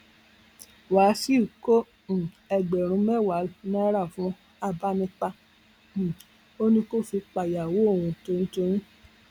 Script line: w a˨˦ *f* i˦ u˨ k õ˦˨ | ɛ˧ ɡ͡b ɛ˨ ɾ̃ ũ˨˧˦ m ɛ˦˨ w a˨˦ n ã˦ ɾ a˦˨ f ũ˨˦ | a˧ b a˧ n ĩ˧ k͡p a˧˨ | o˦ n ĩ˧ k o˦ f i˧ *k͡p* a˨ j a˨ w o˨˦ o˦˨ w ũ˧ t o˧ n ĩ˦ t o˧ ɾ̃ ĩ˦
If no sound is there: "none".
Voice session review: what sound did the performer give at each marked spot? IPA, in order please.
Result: s, k͡p

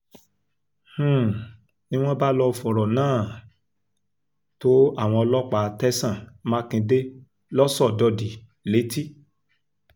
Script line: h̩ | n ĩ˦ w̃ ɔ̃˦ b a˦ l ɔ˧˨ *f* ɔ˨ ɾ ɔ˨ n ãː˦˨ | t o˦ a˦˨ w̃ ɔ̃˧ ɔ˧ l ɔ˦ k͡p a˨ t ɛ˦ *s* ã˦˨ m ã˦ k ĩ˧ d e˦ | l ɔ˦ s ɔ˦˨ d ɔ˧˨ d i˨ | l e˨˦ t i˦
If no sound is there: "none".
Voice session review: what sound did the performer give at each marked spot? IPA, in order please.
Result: f, s

